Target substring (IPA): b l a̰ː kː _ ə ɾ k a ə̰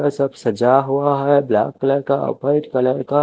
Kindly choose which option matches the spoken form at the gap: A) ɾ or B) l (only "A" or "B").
B